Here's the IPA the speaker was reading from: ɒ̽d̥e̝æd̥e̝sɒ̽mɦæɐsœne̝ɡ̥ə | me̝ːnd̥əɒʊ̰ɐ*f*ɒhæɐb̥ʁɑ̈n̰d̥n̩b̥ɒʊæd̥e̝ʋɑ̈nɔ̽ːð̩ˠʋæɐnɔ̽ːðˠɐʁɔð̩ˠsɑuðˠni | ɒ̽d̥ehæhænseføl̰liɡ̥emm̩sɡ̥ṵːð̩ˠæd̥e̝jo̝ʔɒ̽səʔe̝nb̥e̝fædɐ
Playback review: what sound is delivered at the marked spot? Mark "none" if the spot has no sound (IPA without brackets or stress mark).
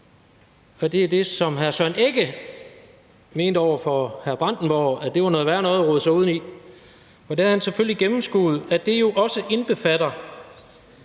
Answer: f